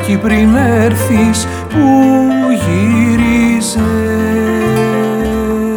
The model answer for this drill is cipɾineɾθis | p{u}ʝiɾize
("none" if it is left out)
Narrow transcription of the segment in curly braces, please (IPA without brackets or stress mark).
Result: u